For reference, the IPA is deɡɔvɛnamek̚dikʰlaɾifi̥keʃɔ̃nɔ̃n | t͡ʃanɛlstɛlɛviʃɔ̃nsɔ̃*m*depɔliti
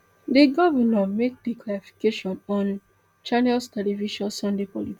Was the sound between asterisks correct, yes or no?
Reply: no